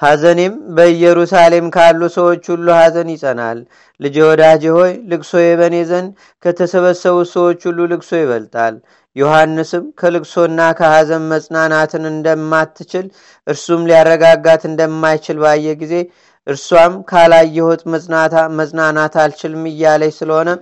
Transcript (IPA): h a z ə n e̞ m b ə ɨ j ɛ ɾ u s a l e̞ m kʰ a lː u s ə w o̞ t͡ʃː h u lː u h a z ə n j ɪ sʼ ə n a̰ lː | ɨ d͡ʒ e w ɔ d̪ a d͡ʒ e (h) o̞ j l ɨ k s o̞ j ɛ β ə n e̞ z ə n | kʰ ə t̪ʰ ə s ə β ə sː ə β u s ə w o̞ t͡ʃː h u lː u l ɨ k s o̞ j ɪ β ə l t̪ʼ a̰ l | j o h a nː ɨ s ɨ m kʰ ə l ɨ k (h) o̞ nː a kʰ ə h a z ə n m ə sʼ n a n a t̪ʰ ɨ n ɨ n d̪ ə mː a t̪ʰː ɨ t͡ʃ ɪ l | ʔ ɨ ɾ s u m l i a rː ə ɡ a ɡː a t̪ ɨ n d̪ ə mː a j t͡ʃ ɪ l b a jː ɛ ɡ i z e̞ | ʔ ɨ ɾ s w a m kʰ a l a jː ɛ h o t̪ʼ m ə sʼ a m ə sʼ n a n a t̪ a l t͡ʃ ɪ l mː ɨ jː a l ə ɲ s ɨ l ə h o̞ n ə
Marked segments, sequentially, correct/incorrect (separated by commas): correct, incorrect